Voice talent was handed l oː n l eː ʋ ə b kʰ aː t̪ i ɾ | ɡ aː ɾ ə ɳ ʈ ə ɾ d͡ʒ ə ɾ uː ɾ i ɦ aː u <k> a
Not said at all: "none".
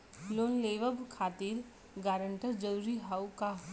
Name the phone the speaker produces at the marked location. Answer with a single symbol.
k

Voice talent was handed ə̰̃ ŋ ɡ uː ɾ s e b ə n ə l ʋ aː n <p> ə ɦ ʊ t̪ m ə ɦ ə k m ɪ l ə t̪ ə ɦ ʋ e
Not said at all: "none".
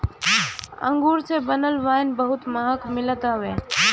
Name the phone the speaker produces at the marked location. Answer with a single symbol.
b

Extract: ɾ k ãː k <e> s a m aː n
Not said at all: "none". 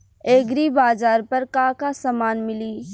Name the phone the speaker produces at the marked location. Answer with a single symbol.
a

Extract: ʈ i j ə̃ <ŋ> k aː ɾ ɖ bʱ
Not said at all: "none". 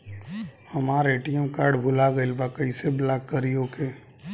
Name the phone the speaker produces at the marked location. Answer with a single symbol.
m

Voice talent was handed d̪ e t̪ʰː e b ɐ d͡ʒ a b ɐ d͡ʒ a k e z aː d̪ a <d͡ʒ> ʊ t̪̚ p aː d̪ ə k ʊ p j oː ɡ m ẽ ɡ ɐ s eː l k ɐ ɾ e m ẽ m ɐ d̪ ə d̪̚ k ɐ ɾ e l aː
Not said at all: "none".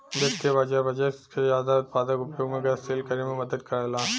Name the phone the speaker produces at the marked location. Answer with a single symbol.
none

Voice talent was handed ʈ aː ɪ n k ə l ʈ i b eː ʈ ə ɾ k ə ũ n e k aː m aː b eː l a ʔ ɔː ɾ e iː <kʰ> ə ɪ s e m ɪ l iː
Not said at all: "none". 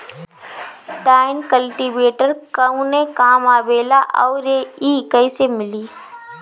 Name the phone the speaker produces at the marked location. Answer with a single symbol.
k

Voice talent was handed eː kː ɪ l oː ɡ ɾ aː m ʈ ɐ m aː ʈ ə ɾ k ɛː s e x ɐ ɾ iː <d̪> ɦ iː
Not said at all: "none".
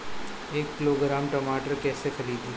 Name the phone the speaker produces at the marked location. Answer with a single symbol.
d̪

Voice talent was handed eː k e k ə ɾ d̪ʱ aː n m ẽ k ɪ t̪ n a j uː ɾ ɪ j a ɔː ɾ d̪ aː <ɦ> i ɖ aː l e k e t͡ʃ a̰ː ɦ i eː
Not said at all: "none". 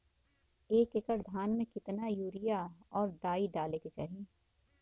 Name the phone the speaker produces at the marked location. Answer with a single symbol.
none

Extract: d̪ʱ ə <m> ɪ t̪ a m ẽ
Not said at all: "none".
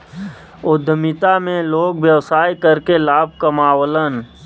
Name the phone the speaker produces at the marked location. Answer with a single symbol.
m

